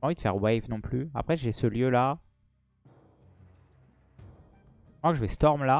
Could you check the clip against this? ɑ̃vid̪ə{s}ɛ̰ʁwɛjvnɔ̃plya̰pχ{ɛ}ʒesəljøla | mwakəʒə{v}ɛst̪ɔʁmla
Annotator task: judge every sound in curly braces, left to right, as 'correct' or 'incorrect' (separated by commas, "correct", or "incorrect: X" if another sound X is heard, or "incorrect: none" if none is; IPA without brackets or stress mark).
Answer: incorrect: f, correct, correct